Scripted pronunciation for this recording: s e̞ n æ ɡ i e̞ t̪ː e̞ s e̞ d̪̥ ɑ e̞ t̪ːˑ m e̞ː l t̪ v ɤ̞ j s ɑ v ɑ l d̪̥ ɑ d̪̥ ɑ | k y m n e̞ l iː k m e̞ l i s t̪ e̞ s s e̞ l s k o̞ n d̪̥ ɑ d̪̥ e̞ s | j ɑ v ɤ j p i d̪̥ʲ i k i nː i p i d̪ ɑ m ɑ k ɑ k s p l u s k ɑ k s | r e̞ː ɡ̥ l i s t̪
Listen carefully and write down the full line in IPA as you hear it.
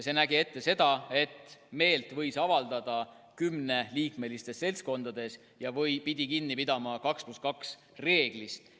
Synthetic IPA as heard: s e̞ n æ ɡ i e̞ t̪ː e̞ s e̞ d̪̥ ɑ e̞ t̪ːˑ m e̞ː l t̪ v ɤ̞ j s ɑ v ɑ l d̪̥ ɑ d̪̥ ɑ | k y m n e̞ l iː k m e̞ l i s t̪ e̞ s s e̞ l s k o̞ n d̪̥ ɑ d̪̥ e̞ s | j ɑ v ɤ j p i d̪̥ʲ i k i nː i p i d̪ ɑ m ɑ k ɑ k s p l u s k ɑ k s | r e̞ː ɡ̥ l i s t̪